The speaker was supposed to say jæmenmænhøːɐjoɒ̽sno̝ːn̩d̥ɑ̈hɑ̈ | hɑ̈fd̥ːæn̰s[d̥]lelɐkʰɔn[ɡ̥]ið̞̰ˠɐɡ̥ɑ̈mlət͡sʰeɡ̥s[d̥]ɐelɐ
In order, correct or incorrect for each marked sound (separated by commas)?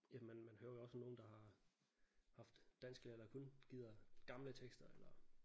incorrect, correct, correct